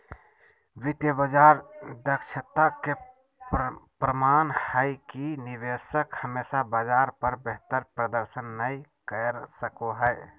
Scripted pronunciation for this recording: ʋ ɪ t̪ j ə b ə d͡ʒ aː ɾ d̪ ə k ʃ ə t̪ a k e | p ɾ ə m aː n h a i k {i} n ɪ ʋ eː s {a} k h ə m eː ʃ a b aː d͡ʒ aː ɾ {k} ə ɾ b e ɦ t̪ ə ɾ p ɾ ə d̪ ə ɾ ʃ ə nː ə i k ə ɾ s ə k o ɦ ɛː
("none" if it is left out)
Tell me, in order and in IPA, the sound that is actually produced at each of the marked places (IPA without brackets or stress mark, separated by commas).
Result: i, ə, p